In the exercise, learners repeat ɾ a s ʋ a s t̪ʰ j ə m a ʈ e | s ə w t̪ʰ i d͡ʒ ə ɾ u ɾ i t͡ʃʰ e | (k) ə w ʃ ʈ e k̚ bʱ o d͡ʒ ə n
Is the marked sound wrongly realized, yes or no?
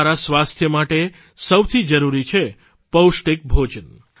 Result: yes